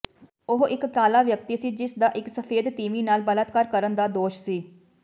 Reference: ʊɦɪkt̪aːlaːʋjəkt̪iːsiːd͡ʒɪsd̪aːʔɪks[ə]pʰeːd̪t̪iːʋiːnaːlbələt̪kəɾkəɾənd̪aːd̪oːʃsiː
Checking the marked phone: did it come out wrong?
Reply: no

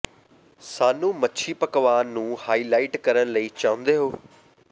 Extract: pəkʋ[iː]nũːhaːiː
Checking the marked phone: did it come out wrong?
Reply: yes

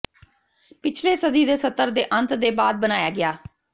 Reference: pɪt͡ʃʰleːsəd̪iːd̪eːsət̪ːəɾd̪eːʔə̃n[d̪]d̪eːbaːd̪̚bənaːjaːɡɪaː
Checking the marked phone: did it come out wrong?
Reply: yes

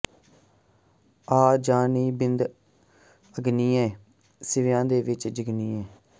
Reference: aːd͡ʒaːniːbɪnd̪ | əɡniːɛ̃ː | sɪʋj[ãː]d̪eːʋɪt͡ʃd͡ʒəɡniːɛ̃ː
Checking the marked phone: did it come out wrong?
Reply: no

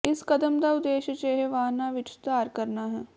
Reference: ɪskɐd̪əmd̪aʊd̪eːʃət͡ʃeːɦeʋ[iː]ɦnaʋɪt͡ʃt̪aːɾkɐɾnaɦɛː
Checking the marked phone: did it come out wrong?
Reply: yes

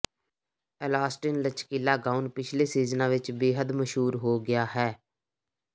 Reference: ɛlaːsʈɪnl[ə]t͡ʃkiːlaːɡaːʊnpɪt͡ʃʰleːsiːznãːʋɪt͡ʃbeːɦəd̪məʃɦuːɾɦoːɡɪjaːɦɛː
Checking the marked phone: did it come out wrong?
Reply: no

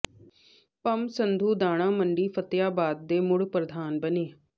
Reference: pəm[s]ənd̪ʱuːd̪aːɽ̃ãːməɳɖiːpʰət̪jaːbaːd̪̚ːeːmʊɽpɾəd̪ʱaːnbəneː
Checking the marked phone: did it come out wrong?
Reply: no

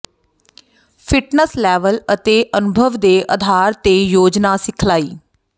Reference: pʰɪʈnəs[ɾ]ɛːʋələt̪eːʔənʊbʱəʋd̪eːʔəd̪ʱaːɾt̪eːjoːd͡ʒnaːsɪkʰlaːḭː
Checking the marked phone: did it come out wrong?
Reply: yes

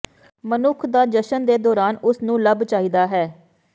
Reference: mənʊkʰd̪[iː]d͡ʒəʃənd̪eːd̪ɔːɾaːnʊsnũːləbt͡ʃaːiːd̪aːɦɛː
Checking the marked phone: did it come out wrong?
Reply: yes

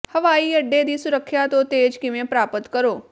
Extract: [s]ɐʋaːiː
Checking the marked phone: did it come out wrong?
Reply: yes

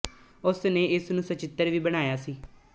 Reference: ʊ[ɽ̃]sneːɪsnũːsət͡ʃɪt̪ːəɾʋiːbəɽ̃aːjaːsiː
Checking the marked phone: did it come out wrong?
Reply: yes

